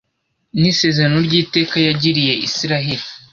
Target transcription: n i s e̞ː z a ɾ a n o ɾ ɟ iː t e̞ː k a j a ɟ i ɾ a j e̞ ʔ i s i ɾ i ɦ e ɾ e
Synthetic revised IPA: n i s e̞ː z e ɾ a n o ɾ ɟ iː t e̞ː k a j a ɟ i ɾ i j e̞ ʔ i s i ɾ a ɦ e ɾ i